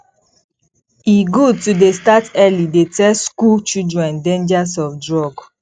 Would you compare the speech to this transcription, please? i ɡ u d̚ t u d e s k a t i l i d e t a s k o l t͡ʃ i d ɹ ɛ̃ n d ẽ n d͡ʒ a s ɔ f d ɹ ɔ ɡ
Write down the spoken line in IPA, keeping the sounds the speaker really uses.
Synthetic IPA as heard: i ɡ u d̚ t u d e s t a t ɛ l i d e t ɛ s k u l t͡ʃ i d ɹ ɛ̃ n d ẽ n d͡ʒ a s ɔ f d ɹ ɔ ɡ